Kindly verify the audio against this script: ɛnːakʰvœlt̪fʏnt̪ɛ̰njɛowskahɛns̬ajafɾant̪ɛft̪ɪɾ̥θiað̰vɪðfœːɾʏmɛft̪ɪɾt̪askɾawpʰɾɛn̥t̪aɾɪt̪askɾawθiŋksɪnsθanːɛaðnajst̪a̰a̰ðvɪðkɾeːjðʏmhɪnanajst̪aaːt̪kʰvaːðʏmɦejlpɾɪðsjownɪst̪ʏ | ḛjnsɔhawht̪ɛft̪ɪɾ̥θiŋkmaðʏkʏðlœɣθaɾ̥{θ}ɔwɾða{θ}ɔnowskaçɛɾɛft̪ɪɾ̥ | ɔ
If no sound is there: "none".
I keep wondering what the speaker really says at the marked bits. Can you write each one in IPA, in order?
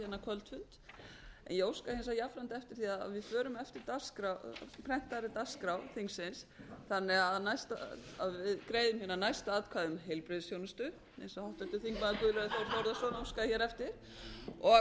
θ, s

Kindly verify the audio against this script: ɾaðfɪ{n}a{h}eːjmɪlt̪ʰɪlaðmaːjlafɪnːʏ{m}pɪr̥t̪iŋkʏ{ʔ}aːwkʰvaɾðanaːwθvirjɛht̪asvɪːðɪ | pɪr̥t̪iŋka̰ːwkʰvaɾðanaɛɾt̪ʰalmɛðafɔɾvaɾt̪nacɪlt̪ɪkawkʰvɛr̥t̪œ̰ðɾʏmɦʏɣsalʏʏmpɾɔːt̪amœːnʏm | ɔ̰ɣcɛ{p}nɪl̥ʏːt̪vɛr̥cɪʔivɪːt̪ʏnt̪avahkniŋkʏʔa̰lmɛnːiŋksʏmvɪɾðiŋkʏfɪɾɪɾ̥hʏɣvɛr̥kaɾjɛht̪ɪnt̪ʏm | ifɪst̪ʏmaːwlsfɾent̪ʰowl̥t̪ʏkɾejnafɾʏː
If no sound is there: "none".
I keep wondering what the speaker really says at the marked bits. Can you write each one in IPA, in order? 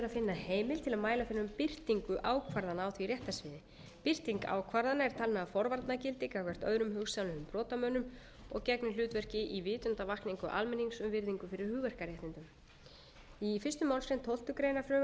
nː, h, m, ʔ, k

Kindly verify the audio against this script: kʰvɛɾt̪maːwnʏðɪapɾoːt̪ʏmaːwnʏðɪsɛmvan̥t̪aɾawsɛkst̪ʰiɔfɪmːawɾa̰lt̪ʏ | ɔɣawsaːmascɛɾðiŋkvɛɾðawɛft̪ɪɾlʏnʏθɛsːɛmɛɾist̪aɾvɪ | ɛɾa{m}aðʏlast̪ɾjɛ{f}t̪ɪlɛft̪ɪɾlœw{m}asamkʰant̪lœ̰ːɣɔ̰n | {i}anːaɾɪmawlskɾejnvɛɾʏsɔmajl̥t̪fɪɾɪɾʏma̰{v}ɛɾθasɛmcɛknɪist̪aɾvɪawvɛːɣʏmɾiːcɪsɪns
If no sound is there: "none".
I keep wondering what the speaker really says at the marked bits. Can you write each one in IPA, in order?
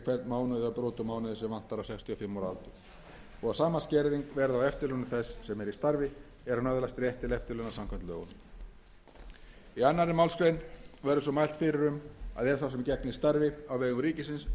n, h, n, i, ð

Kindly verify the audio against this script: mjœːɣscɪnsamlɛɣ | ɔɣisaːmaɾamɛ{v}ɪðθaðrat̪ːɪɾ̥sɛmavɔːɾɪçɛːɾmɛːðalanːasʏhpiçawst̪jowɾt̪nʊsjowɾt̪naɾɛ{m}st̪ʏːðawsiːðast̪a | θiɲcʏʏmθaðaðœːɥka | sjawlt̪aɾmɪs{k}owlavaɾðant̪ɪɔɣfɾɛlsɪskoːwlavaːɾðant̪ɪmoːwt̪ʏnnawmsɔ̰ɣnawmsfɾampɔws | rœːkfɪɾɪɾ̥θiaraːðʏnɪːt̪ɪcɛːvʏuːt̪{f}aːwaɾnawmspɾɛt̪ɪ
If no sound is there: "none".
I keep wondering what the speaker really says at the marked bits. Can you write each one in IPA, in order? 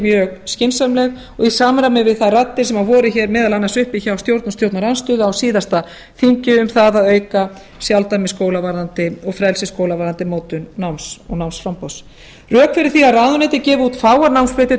v, n, k, f

